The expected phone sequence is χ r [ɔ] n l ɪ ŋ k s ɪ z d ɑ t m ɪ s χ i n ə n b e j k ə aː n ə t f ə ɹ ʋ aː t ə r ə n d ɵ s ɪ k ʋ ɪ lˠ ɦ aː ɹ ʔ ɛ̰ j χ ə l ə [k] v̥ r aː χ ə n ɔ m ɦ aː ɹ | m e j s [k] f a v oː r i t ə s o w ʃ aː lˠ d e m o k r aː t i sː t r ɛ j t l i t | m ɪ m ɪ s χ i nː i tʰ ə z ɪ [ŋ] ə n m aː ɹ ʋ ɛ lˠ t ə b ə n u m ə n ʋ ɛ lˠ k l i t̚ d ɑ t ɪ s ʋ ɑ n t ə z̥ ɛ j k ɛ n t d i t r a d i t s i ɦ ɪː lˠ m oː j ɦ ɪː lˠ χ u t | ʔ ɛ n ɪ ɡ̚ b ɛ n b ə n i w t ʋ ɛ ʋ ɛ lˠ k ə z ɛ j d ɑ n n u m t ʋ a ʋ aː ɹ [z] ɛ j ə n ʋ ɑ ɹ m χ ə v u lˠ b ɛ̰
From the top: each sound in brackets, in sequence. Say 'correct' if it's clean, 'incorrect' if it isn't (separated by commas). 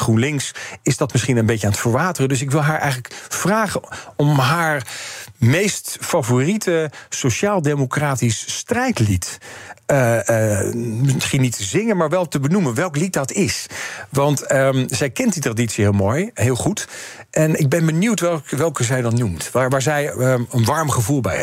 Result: incorrect, correct, incorrect, correct, correct